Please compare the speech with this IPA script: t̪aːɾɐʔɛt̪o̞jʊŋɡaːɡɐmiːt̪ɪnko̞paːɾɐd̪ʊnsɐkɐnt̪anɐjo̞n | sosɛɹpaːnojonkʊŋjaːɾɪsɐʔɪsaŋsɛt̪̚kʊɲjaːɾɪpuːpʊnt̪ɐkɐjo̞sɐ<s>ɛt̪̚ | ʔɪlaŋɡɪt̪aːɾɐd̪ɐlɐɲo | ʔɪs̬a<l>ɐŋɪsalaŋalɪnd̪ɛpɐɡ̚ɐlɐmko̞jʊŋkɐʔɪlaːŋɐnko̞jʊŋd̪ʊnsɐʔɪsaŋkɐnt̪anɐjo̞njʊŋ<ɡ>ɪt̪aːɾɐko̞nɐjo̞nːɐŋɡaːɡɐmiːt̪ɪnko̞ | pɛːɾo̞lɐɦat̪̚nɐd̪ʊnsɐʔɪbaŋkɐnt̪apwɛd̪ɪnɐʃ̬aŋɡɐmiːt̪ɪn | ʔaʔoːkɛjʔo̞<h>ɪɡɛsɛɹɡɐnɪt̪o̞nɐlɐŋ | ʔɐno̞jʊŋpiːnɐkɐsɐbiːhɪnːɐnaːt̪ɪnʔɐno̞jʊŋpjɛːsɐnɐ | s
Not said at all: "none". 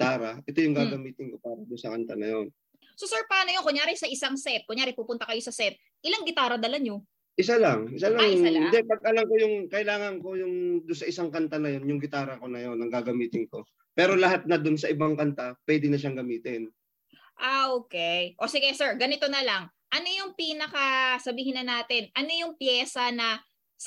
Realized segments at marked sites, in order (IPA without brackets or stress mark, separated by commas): s, l, ɡ, s